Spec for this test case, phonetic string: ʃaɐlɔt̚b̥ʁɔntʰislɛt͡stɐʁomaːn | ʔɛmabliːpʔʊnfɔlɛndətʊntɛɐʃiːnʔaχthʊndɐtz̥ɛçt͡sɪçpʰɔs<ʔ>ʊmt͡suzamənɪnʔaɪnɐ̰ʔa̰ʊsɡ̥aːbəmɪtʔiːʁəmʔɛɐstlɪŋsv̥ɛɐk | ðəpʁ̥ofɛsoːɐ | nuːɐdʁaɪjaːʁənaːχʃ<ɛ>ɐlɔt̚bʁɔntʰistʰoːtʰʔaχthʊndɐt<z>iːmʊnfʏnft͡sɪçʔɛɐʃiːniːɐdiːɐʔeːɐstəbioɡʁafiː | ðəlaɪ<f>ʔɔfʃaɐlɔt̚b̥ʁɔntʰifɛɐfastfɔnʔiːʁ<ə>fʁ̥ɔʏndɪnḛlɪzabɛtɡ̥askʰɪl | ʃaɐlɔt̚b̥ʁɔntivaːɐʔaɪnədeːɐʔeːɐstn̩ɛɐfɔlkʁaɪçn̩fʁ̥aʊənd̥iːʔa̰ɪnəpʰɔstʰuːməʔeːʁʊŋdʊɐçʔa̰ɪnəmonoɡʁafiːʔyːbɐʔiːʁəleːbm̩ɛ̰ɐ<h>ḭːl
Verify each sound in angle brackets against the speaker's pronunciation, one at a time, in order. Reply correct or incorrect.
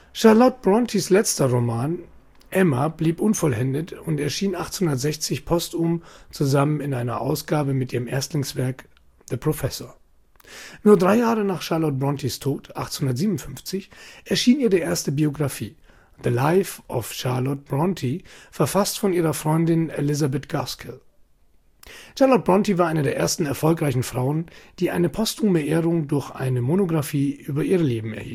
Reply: incorrect, incorrect, correct, correct, incorrect, correct

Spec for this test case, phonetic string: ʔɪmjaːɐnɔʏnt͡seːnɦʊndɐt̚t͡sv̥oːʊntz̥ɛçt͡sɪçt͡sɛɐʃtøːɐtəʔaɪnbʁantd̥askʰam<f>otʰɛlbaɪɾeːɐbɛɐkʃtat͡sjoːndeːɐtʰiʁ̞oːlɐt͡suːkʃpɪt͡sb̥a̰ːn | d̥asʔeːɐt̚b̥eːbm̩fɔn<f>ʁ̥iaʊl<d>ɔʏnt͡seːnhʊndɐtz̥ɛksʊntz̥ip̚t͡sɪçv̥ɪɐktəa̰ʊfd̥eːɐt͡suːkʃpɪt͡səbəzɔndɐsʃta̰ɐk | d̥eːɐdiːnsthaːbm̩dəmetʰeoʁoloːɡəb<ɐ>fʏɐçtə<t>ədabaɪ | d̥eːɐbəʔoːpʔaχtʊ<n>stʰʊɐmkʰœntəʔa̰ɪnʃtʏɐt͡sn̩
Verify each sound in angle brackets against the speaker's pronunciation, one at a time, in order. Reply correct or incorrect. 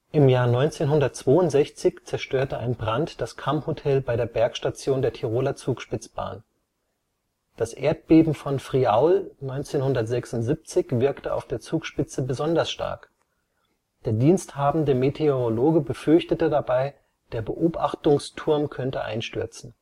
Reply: incorrect, correct, incorrect, incorrect, correct, incorrect

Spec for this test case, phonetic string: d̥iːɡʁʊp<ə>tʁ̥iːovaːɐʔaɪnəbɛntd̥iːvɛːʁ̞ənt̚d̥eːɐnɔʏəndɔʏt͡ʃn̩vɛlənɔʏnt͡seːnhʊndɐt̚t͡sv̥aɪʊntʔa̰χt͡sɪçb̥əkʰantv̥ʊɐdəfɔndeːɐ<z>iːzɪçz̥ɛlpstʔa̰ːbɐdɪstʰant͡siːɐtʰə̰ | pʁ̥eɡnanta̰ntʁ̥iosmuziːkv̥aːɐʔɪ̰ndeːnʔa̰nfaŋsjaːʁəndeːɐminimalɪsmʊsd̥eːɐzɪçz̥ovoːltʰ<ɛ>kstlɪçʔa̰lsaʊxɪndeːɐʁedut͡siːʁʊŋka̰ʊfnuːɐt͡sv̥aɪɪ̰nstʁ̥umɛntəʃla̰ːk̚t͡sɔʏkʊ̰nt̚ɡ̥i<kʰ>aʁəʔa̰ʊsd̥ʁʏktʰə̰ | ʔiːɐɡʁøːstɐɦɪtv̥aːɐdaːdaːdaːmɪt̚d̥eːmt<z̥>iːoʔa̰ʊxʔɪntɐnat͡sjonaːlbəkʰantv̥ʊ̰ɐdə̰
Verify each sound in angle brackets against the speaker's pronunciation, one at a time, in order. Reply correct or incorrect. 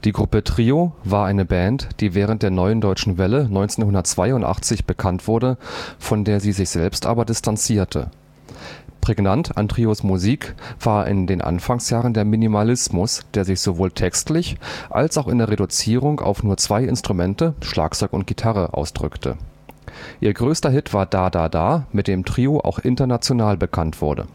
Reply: correct, correct, correct, incorrect, incorrect

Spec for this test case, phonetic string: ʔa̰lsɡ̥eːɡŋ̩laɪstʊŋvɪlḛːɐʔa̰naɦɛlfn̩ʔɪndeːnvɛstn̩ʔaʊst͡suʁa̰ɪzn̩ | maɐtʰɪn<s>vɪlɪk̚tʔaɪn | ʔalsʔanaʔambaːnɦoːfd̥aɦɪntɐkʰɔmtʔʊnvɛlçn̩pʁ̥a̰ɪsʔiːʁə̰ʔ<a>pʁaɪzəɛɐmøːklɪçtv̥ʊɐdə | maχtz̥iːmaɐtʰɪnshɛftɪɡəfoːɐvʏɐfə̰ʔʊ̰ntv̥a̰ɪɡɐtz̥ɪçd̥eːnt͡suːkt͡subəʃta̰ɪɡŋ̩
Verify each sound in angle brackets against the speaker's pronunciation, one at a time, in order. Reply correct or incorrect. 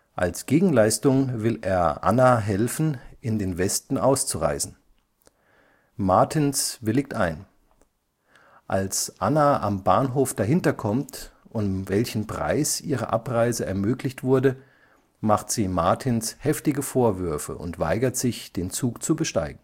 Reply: correct, correct

